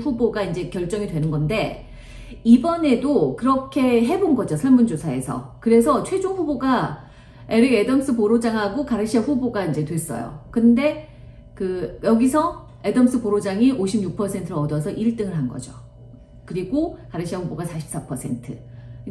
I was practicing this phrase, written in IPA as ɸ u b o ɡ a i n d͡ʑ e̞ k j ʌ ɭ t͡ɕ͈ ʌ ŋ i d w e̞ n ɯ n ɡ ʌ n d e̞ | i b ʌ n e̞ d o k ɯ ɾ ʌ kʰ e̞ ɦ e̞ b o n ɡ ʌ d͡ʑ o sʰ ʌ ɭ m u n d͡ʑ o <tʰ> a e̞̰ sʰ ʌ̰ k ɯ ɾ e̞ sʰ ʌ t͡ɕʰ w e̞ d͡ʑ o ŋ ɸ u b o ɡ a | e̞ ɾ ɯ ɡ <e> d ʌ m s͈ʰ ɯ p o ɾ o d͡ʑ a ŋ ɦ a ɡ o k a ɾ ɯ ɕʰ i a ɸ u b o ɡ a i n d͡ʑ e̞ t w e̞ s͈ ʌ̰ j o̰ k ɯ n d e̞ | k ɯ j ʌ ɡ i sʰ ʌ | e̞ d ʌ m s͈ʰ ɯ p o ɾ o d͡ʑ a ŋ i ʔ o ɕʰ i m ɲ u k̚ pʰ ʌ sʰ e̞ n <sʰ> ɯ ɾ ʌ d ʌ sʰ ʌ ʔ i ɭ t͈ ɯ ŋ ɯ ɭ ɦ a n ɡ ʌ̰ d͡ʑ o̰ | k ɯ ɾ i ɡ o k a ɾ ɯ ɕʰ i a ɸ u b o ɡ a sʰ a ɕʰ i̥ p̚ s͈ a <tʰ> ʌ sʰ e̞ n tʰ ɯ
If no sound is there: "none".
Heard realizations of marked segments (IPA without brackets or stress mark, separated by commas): sʰ, e, tʰ, pʰ